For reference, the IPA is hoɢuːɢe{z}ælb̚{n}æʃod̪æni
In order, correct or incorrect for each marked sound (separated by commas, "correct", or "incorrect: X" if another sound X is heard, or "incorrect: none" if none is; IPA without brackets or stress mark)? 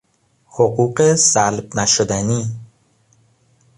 incorrect: s, correct